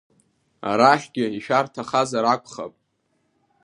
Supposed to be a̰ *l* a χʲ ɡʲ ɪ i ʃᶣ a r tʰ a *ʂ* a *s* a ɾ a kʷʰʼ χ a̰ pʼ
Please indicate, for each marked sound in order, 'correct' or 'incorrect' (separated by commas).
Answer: incorrect, incorrect, incorrect